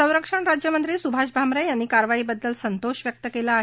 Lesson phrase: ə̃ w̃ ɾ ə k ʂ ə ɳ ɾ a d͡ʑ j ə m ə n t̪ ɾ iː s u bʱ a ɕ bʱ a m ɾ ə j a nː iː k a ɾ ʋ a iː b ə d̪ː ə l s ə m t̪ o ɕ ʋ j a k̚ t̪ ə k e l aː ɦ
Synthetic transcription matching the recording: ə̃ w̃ ɾ ə k ʂ ə ɳ ɾ a d͡ʑ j ə m ə n t̪ ɾ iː s u bʱ a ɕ bʱ a m ɾ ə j a nː iː k a ɾ ʋ a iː b ə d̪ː ə l s ə n t̪ o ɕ ʋ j ə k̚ t̪ ə k e l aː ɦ